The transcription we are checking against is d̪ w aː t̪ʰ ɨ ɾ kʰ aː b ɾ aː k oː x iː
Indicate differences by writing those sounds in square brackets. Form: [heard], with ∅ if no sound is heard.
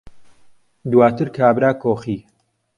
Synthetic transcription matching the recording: d̪ w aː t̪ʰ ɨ ɾ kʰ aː b ɾ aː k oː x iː

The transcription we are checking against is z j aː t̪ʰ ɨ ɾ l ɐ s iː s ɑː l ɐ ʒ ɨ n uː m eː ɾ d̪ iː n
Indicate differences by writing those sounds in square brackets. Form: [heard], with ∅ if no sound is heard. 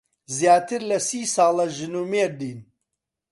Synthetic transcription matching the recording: z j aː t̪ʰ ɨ ɾ l ɐ s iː s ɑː l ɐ ʒ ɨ n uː m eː ɾ d̪ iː n

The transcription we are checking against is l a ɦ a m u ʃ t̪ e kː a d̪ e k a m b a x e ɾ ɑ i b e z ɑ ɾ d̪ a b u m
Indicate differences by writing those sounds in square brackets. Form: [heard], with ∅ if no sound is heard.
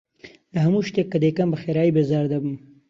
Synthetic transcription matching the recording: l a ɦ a m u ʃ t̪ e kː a d̪ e k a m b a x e ɾ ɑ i b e z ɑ ɾ d̪ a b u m

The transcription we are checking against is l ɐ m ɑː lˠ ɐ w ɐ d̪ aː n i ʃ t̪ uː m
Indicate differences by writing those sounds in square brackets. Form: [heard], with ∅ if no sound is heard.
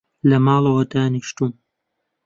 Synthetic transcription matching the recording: l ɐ m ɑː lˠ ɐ w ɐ d̪ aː n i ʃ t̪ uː m

